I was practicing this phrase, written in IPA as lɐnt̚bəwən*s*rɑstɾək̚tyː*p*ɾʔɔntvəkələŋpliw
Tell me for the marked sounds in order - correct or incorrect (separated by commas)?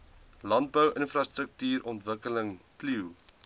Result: incorrect, incorrect